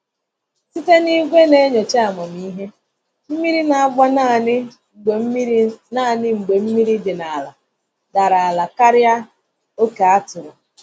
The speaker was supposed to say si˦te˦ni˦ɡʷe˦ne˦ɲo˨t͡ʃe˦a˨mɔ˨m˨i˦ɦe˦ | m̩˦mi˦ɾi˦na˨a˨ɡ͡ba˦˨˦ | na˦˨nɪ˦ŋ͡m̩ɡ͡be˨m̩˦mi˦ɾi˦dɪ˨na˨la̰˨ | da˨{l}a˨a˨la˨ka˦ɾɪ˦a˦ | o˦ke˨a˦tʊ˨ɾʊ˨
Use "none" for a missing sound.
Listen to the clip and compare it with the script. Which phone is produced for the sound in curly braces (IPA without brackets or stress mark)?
ɾ